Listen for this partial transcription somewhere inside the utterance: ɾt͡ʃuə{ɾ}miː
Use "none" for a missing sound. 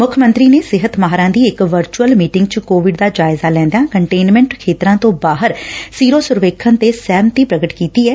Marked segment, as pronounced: l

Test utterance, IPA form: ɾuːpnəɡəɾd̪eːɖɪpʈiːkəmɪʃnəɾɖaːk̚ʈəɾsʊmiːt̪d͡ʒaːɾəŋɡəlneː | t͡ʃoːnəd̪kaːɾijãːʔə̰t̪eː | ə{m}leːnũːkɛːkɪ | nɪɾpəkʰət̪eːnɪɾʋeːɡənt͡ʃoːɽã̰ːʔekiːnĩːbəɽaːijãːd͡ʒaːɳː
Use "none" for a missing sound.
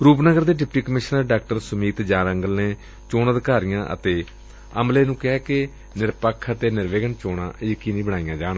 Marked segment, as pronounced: m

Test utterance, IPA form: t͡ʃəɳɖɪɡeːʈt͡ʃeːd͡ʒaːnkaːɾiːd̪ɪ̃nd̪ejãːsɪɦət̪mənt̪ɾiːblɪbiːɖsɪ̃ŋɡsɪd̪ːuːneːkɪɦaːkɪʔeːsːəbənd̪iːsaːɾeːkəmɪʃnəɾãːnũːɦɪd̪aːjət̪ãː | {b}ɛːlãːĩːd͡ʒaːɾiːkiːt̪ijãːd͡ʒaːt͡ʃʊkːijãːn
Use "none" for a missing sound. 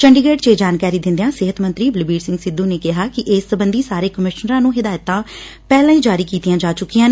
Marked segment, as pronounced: p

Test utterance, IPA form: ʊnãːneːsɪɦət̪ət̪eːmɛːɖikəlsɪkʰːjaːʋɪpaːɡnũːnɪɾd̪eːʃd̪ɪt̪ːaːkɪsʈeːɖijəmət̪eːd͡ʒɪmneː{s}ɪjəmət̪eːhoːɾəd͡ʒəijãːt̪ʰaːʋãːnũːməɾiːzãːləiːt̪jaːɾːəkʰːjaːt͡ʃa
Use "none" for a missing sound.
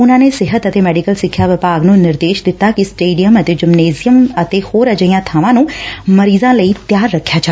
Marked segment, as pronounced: z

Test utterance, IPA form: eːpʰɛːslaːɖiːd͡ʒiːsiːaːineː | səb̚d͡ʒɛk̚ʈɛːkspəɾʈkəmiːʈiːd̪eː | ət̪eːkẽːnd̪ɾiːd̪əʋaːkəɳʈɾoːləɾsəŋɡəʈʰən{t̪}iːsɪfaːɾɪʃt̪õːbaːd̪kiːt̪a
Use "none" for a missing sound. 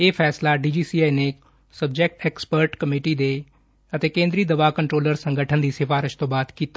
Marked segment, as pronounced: d̪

